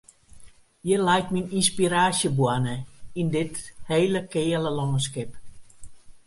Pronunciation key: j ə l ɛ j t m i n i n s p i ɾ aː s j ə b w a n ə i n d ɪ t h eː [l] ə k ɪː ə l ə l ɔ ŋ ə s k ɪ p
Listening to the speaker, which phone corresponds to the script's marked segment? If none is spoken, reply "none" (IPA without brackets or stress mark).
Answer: l